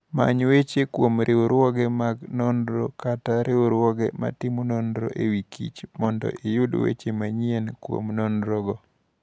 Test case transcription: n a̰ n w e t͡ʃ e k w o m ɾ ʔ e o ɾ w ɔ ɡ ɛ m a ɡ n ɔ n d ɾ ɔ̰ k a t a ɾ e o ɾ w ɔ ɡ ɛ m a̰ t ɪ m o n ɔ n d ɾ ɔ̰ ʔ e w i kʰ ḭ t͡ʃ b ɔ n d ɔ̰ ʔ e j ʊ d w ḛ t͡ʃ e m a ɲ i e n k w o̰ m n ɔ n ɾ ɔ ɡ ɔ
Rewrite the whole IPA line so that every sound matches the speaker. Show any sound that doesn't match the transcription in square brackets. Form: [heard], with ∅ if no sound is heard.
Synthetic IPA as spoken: [m] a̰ [ɲ] w e t͡ʃ e k w o m ɾ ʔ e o ɾ w ɔ ɡ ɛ m a ɡ n ɔ n d ɾ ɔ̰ k a t a ɾ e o ɾ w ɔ ɡ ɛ m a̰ t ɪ m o n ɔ n d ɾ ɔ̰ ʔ e w i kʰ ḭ t͡ʃ [m] ɔ n d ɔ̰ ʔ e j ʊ d w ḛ t͡ʃ e m a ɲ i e n k w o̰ m n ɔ n ɾ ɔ ɡ ɔ